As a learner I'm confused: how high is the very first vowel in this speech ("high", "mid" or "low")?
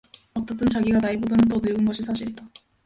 mid